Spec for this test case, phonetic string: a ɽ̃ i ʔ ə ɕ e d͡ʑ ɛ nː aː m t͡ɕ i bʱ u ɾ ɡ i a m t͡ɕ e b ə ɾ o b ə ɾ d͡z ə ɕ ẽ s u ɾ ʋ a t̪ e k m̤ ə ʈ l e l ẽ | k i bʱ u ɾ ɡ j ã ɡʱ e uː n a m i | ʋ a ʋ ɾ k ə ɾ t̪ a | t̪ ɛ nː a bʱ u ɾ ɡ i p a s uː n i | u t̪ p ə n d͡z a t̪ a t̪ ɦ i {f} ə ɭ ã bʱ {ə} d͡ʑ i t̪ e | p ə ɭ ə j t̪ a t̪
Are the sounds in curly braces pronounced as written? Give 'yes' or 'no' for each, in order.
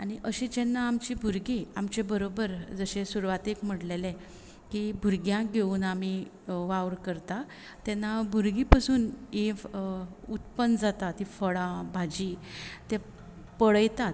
yes, no

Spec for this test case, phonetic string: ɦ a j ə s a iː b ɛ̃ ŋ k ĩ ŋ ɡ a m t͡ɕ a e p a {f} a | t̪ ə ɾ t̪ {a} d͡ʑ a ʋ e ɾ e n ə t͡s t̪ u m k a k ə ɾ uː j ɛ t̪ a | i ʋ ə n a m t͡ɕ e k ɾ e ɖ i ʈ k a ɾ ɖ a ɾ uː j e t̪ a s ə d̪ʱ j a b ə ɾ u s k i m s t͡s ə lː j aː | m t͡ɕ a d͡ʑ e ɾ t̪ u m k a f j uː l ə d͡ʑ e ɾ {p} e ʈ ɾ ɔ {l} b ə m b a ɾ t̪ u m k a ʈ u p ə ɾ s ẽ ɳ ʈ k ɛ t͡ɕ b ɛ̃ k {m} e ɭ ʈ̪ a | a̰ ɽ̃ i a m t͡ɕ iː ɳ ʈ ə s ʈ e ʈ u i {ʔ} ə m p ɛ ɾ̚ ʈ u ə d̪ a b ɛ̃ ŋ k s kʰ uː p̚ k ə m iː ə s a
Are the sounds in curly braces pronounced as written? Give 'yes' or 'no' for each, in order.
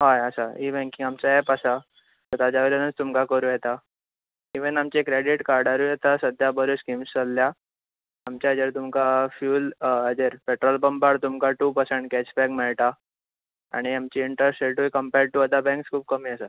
no, yes, yes, yes, yes, no

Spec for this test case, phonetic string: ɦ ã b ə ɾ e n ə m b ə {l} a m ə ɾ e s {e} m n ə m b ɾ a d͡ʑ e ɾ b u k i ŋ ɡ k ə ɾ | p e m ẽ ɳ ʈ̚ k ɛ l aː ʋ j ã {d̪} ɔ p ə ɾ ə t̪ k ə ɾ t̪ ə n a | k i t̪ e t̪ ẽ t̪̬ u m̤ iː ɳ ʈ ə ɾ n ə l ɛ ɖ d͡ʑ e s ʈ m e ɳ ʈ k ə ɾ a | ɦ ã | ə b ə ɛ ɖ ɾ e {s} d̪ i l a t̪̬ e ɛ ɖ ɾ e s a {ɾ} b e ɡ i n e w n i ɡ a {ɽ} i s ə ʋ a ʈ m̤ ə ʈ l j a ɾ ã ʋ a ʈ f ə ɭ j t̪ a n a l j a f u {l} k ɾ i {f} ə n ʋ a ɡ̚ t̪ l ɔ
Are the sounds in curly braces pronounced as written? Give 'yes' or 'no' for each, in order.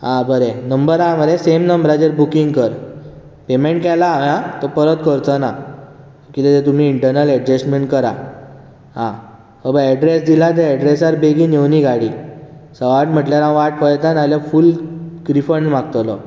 no, yes, no, yes, yes, yes, yes, yes

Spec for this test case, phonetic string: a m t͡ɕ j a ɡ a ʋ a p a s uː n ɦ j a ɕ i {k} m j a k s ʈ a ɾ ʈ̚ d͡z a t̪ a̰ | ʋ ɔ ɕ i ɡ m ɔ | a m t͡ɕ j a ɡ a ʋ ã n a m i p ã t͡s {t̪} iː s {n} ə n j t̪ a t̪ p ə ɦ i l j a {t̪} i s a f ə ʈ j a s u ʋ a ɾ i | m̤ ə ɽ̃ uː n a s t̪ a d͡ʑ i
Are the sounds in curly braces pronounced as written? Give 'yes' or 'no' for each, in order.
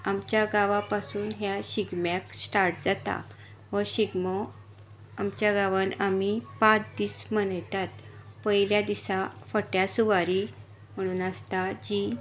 no, no, no, no

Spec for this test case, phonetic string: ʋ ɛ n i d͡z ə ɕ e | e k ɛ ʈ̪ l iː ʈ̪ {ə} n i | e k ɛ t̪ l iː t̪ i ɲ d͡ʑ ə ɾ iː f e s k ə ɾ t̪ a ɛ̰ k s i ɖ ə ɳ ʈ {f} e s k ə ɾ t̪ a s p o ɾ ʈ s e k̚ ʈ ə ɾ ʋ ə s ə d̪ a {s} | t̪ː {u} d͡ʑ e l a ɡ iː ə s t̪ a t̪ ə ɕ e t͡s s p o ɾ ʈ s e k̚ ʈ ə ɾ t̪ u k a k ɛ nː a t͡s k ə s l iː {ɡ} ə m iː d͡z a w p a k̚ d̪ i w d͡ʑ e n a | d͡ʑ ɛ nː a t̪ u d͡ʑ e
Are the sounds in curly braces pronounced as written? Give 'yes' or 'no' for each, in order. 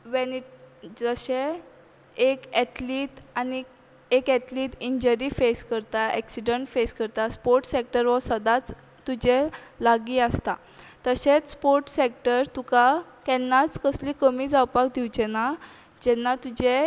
no, yes, no, yes, no

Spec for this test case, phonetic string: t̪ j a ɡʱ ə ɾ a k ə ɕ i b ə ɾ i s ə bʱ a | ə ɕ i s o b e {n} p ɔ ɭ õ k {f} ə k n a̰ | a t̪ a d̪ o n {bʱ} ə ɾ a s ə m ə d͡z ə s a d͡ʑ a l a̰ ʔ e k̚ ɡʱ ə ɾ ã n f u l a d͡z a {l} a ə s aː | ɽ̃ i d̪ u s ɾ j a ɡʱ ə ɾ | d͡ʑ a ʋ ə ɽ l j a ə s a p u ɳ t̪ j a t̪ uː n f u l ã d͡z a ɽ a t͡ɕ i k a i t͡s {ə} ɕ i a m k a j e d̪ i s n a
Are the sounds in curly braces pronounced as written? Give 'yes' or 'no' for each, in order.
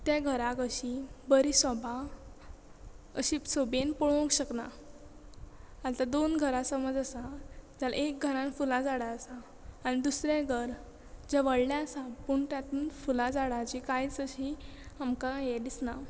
yes, no, no, no, yes

